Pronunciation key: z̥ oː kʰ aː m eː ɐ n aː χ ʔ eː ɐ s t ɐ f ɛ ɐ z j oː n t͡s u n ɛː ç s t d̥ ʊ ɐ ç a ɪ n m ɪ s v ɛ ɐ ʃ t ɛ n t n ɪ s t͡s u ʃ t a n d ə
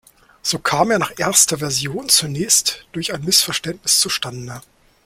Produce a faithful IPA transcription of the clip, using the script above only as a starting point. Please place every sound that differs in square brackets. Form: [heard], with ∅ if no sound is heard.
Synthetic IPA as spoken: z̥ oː kʰ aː m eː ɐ n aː χ ʔ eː ɐ s t ɐ [v] ɛ ɐ z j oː n t͡s u n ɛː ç s t d̥ ʊ ɐ ç a ɪ n m ɪ s [f] ɛ ɐ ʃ t ɛ n t n ɪ s t͡s u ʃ t a n d ə

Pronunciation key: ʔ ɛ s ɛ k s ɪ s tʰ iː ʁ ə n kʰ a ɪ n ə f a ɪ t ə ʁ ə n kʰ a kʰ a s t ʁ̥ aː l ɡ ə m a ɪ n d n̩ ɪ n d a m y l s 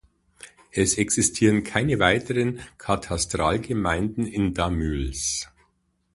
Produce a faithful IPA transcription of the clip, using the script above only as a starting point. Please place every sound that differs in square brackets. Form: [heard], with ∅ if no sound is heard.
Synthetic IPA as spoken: ʔ ɛ s ɛ k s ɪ s tʰ iː ʁ ə n kʰ a ɪ n ə [v] a ɪ t ə ʁ ə n kʰ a [tʰ] a s t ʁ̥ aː l ɡ ə m a ɪ n d n̩ ɪ n d a m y l s

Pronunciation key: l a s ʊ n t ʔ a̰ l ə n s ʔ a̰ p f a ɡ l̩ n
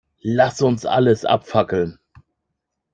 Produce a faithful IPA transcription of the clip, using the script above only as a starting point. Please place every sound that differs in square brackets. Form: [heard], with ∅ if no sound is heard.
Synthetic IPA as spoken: l a s ʊ n [s] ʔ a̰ l ə [∅] s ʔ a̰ p f a [k] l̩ n

